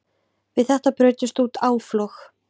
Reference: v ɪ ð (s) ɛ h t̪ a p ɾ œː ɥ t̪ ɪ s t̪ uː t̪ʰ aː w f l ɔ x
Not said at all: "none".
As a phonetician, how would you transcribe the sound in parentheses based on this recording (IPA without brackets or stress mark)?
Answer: θ